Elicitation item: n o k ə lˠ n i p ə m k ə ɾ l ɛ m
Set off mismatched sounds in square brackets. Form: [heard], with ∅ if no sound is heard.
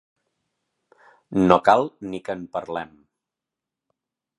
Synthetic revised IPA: n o k [a] lˠ n i [k] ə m [p] ə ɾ l ɛ m